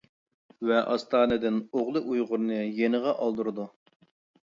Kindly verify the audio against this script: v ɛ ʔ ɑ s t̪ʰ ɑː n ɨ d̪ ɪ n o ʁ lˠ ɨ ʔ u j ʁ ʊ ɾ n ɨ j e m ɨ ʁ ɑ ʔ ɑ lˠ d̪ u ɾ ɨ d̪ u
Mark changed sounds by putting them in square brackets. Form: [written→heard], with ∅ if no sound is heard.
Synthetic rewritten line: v ɛ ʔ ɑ s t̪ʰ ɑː n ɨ d̪ ɪ n o ʁ lˠ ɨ ʔ u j ʁ ʊ ɾ n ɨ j e [m→n] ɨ ʁ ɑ ʔ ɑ lˠ d̪ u ɾ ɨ d̪ u